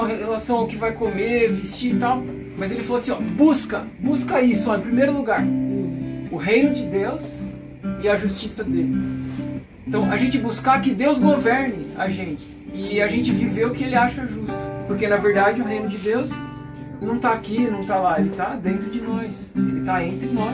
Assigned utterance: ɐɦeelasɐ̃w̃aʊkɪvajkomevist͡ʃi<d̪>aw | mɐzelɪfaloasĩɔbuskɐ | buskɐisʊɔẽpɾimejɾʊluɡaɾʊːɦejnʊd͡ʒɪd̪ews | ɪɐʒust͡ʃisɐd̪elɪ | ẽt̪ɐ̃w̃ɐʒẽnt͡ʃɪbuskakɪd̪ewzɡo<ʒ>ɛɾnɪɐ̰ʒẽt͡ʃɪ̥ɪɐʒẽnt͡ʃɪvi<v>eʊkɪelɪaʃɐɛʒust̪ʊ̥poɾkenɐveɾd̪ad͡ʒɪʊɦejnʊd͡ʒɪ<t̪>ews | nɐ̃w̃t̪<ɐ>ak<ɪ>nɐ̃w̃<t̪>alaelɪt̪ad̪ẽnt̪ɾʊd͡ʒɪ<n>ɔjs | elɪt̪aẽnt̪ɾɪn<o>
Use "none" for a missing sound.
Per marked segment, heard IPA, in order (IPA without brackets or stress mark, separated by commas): t̪, v, v, d̪, a, i, t̪, n, ɔ